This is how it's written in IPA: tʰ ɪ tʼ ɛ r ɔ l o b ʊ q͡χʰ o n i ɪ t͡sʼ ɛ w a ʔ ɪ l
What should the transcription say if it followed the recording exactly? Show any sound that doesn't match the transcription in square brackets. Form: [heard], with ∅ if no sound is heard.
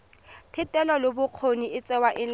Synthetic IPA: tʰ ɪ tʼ ɛ [l] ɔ l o b ʊ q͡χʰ o n i ɪ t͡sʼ ɛ w a ʔ ɪ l